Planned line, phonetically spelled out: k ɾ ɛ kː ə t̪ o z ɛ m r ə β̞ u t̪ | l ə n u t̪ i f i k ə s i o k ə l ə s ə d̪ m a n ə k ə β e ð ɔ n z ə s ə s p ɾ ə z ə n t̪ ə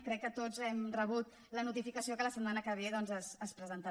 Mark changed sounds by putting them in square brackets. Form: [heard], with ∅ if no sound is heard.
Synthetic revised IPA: k ɾ ɛ kː ə t̪ o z ɛ m r ə β̞ u t̪ | l ə n u t̪ i f i k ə s i o k ə l ə s ə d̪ m a n ə k ə β e ð ɔ n z ə s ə s p ɾ ə z ə n t̪ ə